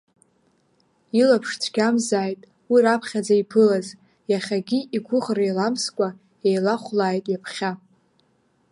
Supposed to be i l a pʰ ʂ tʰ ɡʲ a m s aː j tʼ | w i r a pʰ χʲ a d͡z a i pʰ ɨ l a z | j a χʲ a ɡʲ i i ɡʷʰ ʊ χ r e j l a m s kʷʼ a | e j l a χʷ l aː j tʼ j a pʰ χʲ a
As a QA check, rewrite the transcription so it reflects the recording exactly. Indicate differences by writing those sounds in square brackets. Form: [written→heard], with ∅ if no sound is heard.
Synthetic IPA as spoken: i l a pʰ ʂ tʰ ɡʲ a m [s→z] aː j tʼ | w i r a pʰ χʲ a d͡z a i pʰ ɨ l a z | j a χʲ a ɡʲ i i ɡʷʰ ʊ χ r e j l a m s kʷʼ a | e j l a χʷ l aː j tʼ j a pʰ χʲ a